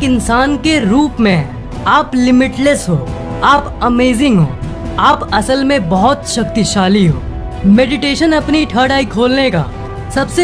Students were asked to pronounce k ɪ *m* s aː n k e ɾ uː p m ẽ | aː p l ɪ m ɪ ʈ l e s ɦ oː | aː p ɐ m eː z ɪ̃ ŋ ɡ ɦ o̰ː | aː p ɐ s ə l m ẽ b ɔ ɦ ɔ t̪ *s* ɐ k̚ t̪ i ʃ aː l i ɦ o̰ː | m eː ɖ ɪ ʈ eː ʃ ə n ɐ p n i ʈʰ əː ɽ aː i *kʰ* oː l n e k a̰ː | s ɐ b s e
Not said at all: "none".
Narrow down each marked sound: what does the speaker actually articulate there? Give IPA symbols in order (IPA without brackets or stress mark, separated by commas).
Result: n, ʃ, kʰ